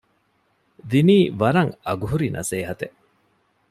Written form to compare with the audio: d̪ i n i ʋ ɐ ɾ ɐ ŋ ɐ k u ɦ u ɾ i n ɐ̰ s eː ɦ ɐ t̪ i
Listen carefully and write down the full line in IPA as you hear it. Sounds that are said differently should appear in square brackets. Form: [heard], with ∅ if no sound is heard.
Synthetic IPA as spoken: d̪ i n [iː] ʋ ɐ ɾ ɐ ŋ ɐ [ɡ] u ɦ u ɾ i n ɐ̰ s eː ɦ ɐ t̪ [e]